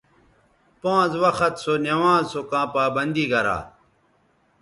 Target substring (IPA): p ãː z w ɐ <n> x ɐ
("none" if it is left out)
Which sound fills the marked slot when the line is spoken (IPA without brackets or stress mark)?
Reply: none